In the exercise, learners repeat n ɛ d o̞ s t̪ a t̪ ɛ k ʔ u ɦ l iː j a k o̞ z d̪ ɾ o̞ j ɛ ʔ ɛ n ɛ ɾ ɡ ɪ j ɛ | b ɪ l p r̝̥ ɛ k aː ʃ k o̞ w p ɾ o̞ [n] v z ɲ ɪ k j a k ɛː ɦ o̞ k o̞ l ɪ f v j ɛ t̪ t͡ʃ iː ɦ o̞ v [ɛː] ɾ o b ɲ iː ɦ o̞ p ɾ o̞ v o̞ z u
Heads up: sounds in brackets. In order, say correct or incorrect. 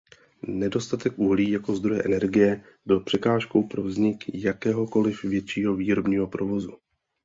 incorrect: none, incorrect: iː

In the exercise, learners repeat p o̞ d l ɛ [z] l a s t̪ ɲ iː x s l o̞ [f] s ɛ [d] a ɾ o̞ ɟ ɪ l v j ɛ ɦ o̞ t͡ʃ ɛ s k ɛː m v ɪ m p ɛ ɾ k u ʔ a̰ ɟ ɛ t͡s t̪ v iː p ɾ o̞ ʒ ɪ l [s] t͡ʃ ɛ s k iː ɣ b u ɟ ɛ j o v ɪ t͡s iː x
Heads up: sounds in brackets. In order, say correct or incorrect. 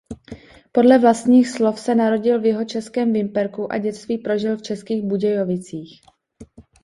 incorrect: v, correct, incorrect: n, incorrect: f

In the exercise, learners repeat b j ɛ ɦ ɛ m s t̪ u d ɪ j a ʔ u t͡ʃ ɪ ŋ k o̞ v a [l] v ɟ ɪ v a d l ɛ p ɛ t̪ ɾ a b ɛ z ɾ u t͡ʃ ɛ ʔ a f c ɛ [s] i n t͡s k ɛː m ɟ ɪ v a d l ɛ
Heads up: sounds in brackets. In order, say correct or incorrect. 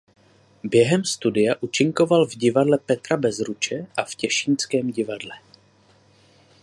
correct, incorrect: ʃ

